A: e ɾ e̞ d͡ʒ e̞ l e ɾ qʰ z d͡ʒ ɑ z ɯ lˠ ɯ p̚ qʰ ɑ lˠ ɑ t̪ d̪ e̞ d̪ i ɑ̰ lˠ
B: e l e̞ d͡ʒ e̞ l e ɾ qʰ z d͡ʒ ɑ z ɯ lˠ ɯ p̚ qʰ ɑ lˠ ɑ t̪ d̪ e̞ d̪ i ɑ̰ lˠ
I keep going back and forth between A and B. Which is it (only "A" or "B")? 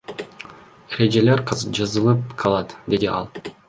A